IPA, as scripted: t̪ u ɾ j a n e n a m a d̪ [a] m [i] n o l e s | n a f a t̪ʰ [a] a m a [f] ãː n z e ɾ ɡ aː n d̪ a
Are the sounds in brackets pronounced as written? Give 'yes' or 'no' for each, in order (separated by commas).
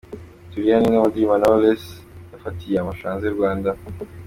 no, no, no, no